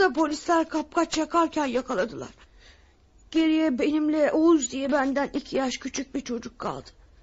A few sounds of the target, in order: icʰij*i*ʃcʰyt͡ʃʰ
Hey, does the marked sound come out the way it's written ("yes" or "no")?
no